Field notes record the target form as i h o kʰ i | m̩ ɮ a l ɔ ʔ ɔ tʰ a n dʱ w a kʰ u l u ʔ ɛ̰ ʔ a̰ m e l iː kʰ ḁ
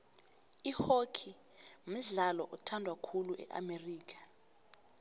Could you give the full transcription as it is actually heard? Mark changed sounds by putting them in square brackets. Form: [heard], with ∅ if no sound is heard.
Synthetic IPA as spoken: i h o kʰ i | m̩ ɮ a l ɔ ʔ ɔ tʰ a n dʱ w a kʰ u l u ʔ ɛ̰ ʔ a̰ m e [r] iː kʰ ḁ